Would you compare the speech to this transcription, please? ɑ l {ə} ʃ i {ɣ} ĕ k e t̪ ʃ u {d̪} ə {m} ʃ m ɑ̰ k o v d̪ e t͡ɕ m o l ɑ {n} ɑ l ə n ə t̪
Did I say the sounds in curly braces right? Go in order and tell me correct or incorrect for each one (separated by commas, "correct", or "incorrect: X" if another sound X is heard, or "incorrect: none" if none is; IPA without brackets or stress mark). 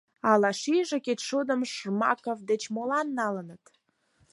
incorrect: ɑ, incorrect: ʒ, correct, correct, incorrect: nː